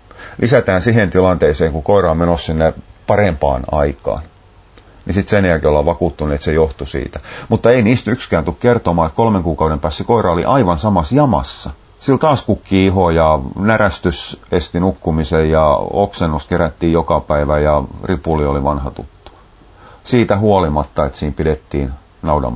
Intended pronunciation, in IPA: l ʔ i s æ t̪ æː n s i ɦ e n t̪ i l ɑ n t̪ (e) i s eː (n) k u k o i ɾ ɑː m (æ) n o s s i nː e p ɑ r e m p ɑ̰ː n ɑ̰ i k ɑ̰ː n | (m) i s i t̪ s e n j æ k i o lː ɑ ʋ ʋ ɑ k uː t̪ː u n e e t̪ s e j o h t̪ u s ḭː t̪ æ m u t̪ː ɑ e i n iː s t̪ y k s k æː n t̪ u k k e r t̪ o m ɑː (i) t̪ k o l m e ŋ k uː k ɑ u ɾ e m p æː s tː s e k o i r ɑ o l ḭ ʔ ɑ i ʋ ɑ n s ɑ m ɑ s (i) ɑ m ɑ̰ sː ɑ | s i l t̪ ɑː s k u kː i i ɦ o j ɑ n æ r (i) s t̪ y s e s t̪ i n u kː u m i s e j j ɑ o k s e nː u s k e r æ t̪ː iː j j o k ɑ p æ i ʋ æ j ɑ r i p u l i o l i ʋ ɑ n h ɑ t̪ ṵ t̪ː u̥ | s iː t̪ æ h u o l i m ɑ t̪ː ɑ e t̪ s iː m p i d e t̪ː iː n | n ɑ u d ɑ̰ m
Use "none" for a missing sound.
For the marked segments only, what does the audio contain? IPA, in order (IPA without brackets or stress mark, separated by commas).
e, ŋ, e, n, e, j, æ